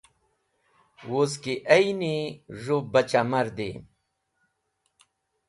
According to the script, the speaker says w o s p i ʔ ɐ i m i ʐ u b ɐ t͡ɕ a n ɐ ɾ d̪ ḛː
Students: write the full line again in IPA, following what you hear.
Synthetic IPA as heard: w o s k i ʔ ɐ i n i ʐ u b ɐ t͡ɕ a m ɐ ɾ d̪ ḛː